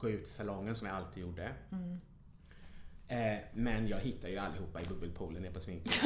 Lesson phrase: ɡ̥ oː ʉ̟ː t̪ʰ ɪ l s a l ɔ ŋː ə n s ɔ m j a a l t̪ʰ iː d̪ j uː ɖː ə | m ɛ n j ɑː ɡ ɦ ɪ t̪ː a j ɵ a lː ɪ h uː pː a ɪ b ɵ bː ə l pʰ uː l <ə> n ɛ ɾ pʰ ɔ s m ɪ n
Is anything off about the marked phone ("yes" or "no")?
no